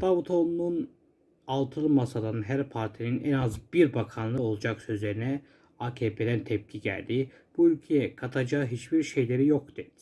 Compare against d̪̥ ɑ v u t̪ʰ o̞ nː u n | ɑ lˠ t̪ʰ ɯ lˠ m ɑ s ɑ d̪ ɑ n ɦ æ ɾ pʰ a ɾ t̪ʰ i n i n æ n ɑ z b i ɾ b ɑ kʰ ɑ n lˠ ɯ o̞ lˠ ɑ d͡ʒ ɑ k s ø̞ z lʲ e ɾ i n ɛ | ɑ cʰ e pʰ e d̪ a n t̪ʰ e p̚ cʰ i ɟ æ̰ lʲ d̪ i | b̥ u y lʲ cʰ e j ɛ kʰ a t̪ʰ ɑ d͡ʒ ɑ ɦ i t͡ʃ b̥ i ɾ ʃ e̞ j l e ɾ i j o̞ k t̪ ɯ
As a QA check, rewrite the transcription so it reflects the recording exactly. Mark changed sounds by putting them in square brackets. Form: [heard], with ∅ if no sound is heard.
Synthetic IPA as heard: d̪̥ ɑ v u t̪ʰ o̞ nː u n | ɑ lˠ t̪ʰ ɯ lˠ m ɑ s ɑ d̪ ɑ n ɦ æ ɾ pʰ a ɾ t̪ʰ i n i n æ n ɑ z b i ɾ b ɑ kʰ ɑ n lˠ ɯ o̞ lˠ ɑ d͡ʒ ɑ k s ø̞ z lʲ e ɾ i n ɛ | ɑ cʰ e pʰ e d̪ [æ] n t̪ʰ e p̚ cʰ i ɟ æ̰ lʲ d̪ i | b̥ u y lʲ cʰ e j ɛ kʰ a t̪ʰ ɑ d͡ʒ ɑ ɦ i t͡ʃ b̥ i ɾ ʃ e̞ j l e ɾ i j o̞ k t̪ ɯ